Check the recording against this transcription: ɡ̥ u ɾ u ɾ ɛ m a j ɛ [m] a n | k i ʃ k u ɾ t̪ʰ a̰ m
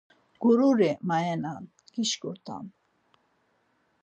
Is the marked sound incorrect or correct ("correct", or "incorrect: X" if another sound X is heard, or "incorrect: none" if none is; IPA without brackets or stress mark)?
incorrect: n